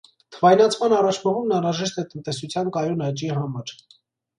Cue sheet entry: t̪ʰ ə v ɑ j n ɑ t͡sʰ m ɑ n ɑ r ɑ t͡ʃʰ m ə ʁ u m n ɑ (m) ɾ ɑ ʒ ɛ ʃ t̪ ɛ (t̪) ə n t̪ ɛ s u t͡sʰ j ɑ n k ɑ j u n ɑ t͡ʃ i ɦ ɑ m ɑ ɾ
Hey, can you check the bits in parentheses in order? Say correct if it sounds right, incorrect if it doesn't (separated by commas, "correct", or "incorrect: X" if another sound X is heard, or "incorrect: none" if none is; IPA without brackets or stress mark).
incorrect: n, correct